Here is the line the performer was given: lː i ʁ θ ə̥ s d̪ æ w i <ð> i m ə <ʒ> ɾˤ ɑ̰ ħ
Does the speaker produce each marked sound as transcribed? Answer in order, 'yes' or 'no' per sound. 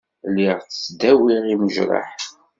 no, yes

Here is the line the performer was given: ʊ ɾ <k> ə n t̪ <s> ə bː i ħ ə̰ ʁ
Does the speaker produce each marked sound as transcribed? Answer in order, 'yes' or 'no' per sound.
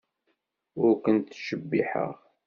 yes, no

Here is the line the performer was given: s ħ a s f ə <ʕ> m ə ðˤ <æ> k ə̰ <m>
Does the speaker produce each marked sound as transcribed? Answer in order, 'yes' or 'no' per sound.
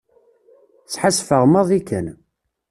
no, no, no

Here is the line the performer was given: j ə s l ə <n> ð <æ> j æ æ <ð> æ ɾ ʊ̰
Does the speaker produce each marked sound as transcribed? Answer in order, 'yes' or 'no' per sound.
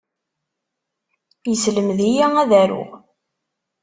no, no, yes

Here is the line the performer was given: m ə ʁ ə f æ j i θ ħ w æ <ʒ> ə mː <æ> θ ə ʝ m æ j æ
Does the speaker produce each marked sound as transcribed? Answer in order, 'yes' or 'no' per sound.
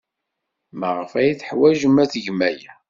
yes, yes

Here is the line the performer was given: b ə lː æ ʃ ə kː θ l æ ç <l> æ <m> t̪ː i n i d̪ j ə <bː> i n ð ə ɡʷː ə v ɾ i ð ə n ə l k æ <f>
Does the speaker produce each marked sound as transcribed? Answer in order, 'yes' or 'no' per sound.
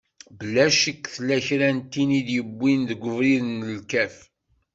no, no, yes, yes

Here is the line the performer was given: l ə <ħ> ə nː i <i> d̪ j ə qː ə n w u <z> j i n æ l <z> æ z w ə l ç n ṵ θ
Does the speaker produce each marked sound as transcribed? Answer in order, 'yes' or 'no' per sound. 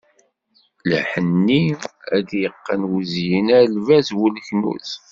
yes, no, yes, no

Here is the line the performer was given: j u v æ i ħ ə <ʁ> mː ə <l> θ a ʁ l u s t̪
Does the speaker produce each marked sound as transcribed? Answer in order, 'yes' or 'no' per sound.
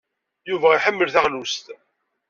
no, yes

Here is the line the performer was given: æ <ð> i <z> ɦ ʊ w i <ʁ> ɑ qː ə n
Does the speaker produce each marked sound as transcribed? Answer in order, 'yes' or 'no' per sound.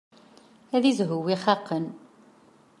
yes, yes, no

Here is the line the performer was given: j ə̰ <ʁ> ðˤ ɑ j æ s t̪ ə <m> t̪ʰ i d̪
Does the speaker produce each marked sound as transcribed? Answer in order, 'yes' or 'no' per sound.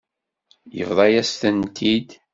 no, no

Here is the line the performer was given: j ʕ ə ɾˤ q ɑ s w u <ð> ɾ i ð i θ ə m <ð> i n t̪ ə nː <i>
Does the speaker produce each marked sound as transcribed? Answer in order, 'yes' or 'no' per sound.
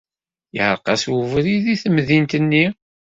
no, yes, yes

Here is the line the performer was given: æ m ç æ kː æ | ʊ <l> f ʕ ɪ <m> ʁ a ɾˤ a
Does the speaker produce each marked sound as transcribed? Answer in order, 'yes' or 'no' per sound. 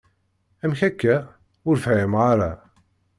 no, yes

